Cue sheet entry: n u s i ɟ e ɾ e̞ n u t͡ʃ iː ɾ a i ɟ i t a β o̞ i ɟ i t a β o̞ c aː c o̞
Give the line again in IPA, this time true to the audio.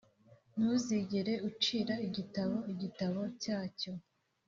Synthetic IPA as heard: n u z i ɟ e ɾ e̞ u t͡ʃ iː ɾ a i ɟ i t a β o̞ i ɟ i t a β o̞ c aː c o̞